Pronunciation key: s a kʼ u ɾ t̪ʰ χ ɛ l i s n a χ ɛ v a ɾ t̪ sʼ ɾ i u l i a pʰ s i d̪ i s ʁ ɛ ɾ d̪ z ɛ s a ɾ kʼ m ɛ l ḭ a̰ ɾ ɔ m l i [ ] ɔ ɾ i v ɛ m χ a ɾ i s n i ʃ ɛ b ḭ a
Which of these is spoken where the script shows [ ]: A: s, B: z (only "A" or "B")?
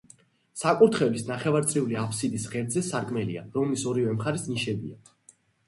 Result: A